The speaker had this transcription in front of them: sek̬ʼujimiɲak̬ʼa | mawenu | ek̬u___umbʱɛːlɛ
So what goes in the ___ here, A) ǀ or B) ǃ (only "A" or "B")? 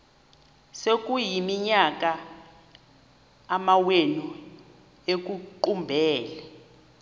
B